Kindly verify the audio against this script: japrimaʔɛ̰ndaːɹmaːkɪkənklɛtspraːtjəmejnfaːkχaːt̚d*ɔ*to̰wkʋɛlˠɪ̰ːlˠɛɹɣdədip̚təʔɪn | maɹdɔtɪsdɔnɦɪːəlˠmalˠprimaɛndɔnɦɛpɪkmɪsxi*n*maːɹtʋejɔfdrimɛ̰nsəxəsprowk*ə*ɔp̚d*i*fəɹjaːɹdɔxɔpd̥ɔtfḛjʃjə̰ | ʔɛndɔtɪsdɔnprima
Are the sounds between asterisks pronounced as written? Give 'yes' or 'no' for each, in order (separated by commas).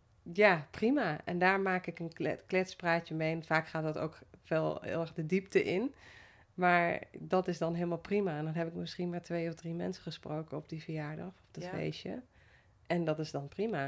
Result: yes, yes, yes, yes